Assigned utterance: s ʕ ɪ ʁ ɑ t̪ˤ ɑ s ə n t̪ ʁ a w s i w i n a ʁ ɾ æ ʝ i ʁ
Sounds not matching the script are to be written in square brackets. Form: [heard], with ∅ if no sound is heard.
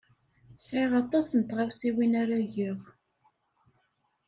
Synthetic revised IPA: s ʕ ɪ ʁ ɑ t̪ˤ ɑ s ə n t̪ ʁ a w s i w i n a [∅] ɾ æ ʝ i ʁ